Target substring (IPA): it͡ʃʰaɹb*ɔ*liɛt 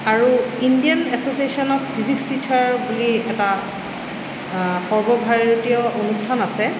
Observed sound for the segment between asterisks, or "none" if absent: u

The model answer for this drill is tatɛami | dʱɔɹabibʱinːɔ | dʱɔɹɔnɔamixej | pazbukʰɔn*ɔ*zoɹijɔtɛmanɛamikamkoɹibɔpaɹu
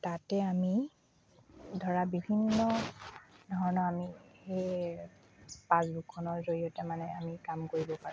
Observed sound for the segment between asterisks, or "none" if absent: ɔ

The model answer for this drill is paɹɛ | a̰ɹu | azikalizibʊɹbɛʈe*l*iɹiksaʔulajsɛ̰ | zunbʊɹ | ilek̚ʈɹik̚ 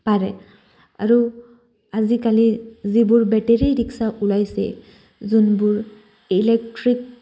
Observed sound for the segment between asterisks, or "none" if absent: ɹ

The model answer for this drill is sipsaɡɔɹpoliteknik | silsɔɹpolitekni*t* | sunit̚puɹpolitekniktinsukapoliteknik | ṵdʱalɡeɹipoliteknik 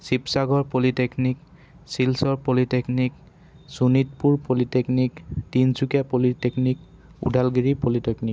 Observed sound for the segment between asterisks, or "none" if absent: k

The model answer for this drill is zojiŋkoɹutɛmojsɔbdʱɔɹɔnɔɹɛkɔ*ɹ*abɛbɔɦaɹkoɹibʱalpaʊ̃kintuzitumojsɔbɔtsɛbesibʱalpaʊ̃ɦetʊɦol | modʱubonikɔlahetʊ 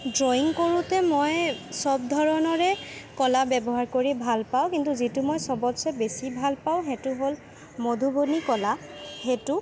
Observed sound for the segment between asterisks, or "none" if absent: l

